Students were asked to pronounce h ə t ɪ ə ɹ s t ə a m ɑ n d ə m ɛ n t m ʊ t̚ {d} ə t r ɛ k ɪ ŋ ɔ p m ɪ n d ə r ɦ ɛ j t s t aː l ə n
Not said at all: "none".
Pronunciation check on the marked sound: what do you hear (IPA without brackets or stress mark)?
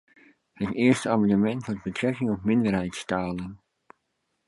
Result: b